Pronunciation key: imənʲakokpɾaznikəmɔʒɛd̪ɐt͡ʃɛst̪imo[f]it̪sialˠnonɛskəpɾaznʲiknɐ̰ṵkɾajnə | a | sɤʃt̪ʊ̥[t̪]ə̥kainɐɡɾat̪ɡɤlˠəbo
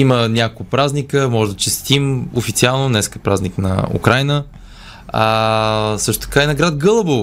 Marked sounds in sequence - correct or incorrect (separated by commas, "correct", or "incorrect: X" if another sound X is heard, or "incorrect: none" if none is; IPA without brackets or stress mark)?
correct, correct